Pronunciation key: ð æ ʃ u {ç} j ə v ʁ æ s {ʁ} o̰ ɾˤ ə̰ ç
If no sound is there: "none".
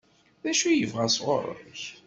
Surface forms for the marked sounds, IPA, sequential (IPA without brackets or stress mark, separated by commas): none, ʁ